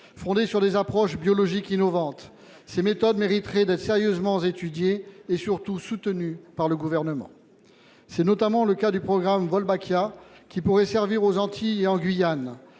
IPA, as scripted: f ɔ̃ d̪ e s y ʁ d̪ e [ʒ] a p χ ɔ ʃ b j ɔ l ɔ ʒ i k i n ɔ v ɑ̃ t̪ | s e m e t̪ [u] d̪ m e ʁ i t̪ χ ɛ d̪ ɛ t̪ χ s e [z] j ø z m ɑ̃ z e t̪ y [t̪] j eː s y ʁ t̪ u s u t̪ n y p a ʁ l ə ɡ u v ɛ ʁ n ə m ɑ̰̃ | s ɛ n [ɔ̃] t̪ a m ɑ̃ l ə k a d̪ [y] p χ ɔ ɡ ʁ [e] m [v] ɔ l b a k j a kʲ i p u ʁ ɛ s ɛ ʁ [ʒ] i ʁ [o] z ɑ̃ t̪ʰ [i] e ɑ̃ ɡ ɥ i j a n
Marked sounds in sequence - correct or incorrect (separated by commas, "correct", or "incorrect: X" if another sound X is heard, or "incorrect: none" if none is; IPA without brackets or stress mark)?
incorrect: z, incorrect: ɔ, incorrect: ʁ, incorrect: d̪, incorrect: ɔ, correct, incorrect: a, correct, incorrect: v, correct, correct